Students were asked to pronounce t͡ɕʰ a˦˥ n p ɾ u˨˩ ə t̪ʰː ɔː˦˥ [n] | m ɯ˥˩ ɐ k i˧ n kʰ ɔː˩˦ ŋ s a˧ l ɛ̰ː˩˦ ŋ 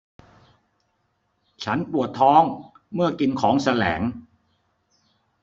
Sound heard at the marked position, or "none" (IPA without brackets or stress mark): ŋ